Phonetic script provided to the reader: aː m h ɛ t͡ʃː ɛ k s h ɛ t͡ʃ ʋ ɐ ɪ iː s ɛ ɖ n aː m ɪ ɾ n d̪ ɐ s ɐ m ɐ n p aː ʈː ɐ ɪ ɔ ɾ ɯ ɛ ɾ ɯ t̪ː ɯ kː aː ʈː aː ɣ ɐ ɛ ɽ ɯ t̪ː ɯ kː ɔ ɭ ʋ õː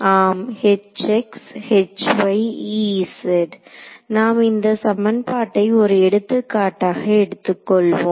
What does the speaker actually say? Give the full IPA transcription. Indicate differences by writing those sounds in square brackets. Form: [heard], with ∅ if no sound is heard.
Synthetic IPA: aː m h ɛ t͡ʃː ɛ k s h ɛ t͡ʃ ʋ ɐ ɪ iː s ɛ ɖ n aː m ɪ [∅] n d̪ ɐ s ɐ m ɐ n p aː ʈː ɐ ɪ ɔ ɾ ɯ ɛ [ɽ] ɯ t̪ː ɯ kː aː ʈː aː ɣ ɐ ɛ ɽ ɯ t̪ː ɯ kː ɔ ɭ ʋ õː

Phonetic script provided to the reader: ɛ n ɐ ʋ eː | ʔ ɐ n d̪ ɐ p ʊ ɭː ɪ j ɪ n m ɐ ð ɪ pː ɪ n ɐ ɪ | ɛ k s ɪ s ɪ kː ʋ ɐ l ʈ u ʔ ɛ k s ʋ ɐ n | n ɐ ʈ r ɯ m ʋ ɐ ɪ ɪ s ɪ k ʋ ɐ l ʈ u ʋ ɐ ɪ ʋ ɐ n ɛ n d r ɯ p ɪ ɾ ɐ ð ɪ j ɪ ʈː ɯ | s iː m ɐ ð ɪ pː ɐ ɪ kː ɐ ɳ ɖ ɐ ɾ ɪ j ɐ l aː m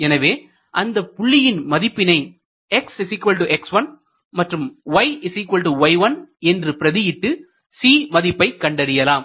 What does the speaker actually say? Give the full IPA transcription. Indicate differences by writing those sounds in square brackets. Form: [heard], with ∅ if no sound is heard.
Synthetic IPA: ɛ n ɐ ʋ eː | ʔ ɐ n d̪ ɐ p ʊ ɭː ɪ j ɪ n m ɐ ð ɪ pː ɪ n ɐ ɪ | ɛ k s ɪ s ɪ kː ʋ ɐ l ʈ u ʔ ɛ k s ʋ ɐ n | [m] ɐ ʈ r ɯ m ʋ ɐ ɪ ɪ s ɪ k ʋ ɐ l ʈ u ʋ ɐ ɪ ʋ ɐ n ɛ n d r ɯ p ɪ ɾ ɐ ð ɪ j ɪ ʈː ɯ | s iː m ɐ ð ɪ pː ɐ ɪ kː ɐ ɳ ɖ ɐ ɾ ɪ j ɐ l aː m

